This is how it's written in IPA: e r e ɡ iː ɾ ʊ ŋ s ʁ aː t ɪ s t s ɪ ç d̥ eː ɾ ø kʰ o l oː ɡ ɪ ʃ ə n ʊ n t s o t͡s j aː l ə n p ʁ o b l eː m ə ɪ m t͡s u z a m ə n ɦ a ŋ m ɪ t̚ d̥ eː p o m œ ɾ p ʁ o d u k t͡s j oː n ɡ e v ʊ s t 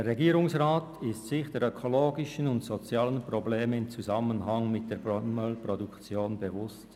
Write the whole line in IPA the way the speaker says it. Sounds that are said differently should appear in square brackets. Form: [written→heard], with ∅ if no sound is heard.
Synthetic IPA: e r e ɡ iː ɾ ʊ ŋ s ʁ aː t ɪ s t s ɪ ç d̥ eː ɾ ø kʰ o l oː ɡ ɪ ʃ ə n ʊ n t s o t͡s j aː l ə n p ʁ o b l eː m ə ɪ m t͡s u z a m ə n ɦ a ŋ m ɪ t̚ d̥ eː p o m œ [ɾ→l] p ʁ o d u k t͡s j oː n [ɡ→b] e v ʊ s t